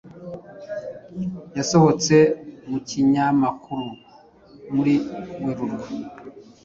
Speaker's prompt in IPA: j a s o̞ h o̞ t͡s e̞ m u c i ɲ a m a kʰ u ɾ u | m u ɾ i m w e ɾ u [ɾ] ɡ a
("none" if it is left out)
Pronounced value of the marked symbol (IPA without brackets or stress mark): ɾ